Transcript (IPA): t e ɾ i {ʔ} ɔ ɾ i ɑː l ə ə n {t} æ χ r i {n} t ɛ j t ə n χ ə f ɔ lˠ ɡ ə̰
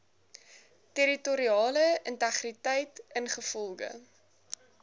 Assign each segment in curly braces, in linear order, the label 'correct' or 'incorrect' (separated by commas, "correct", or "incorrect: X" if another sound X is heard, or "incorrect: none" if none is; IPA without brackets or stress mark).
incorrect: t, correct, incorrect: none